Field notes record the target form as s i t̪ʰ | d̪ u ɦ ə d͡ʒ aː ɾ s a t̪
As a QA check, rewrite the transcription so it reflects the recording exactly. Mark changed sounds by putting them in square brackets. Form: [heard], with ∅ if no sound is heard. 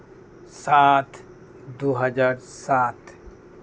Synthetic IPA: s [a] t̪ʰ | d̪ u ɦ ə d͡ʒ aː ɾ s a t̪

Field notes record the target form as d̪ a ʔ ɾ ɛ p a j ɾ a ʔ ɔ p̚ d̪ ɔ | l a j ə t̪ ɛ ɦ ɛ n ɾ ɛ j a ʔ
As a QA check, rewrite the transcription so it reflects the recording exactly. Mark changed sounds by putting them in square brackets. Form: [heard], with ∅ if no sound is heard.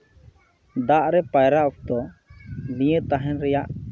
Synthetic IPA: d̪ a ʔ ɾ ɛ p a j ɾ a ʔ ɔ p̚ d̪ ɔ | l [i] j ə t̪ [a] ɦ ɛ n ɾ ɛ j a ʔ

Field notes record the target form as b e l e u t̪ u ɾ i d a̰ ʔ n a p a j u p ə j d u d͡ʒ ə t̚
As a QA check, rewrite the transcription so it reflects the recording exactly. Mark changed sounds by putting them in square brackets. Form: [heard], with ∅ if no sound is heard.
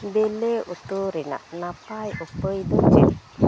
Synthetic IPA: b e l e u t̪ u ɾ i [n] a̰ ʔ n a p a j u p ə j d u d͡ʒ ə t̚

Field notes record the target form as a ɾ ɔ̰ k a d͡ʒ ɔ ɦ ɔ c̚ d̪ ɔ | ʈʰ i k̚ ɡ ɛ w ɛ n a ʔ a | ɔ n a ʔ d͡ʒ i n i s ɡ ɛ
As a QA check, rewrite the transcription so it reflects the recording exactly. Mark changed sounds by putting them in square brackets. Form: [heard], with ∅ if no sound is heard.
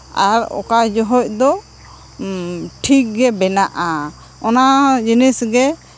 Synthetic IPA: a ɾ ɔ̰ k a d͡ʒ ɔ ɦ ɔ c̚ d̪ ɔ | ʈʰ i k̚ ɡ ɛ [b] ɛ n a ʔ a | ɔ n a [∅] d͡ʒ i n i s ɡ ɛ

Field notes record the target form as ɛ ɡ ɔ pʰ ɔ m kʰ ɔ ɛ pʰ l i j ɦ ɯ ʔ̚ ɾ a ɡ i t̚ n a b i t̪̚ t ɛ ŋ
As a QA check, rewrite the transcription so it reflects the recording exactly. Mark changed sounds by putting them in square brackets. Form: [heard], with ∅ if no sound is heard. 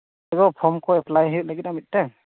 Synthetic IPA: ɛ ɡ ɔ pʰ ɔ m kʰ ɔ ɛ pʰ l [a] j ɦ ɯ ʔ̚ [l] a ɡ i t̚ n a [m] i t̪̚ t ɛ ŋ

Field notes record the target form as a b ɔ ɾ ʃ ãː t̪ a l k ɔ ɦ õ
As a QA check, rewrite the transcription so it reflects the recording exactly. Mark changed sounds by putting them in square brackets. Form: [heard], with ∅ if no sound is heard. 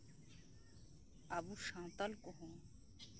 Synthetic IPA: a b [u] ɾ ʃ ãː t̪ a l k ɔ ɦ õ

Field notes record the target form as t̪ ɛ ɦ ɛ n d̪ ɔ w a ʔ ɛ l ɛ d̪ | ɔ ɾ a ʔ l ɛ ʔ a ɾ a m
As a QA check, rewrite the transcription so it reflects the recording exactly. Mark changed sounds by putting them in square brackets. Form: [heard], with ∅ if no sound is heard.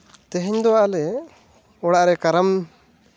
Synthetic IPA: t̪ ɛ ɦ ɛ [ɲ] d̪ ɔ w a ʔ [a] l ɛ [∅] | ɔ [ɽ] a ʔ [ɾ] ɛ [k] a ɾ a m

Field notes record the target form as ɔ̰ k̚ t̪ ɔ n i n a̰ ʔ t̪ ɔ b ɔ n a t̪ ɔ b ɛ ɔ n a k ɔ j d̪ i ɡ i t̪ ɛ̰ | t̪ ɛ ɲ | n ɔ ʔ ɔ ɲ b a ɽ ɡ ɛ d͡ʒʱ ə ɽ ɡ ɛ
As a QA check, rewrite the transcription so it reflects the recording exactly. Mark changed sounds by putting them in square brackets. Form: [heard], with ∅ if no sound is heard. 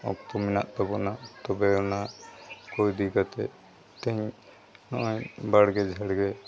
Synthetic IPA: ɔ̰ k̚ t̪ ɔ [m] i n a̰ ʔ t̪ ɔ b ɔ n a t̪ ɔ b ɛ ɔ n a k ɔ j d̪ i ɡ [a] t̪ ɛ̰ | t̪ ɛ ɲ | n ɔ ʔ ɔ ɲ b a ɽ ɡ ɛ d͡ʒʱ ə ɽ ɡ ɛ

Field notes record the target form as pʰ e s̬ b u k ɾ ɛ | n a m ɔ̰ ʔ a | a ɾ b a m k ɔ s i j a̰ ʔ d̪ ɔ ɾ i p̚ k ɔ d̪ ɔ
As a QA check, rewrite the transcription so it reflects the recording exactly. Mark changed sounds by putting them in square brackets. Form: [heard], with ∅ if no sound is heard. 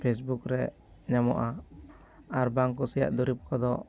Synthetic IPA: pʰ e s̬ b u k ɾ ɛ | [ɲ] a m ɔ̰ ʔ a | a ɾ b a [ŋ] k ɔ s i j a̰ ʔ d̪ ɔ ɾ i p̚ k ɔ d̪ ɔ

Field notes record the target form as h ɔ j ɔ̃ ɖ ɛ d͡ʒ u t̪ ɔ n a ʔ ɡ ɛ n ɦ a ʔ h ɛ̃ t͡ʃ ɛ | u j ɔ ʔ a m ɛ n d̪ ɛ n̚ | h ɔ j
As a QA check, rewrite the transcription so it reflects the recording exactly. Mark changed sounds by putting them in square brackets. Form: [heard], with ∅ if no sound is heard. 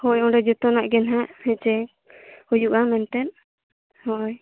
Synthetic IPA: h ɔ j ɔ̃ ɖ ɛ d͡ʒ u t̪ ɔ n a ʔ ɡ ɛ n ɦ a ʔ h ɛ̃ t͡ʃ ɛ | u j [u] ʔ a m ɛ n [t̪] ɛ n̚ | h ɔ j

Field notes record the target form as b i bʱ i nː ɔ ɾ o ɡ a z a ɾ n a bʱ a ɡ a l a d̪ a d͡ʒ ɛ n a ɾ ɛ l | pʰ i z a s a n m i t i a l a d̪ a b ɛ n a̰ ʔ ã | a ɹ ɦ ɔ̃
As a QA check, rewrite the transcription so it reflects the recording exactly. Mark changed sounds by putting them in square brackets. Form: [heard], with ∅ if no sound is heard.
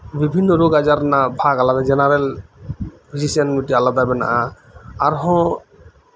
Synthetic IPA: b i bʱ i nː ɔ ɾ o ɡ a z a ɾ n a bʱ a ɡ a l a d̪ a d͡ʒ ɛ n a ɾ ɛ l | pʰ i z [i] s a n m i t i a l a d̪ a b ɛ n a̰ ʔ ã | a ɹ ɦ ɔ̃

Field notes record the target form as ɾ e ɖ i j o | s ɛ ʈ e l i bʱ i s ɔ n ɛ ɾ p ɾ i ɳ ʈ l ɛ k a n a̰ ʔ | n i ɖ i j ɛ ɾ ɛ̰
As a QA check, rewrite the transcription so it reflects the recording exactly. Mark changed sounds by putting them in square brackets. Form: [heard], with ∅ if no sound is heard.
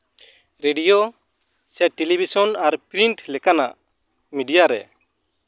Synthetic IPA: ɾ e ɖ i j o | s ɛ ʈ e l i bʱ i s ɔ n [a] ɾ p ɾ i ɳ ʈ l ɛ k a n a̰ ʔ | [m] i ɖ i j [a] ɾ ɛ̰

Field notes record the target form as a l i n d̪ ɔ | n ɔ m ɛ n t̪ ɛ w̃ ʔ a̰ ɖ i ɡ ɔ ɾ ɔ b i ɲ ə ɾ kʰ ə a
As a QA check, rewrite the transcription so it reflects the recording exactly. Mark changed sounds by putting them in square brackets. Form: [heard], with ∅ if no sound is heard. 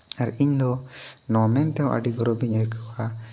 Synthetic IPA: a [ɾ] i [ɲ] d̪ ɔ | n ɔ m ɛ n t̪ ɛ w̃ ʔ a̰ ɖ i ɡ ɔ ɾ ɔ b i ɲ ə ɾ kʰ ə a

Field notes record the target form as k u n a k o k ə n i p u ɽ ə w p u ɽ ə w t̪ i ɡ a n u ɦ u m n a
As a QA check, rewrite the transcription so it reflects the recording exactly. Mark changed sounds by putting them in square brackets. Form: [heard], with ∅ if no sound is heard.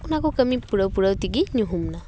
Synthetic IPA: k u n a k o k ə [m] i p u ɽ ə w p u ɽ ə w t̪ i ɡ [i] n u ɦ u m n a

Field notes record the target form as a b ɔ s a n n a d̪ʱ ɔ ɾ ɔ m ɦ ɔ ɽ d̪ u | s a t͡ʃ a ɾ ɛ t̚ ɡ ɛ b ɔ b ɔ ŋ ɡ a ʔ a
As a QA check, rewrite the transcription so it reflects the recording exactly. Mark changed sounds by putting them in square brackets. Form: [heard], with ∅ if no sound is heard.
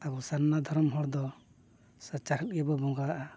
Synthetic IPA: a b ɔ s a n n a d̪ʱ ɔ ɾ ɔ m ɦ ɔ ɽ d̪ [ɔ] | s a t͡ʃ a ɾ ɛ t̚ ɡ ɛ b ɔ b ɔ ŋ ɡ a ʔ a

